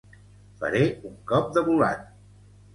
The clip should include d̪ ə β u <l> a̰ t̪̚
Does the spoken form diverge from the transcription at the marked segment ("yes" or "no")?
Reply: no